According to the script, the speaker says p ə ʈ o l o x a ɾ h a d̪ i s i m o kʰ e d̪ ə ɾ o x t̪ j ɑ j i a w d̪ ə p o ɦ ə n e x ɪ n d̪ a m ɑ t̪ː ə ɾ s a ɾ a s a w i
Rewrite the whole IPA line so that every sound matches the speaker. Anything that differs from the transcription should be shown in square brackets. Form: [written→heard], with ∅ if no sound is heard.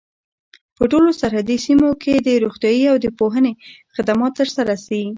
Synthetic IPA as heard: p ə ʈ o l o [x→s] a ɾ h a d̪ i s i m o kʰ e d̪ ə ɾ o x t̪ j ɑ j i a w d̪ ə p o ɦ ə n e x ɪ [n→∅] d̪ a m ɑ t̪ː ə ɾ s a ɾ a s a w i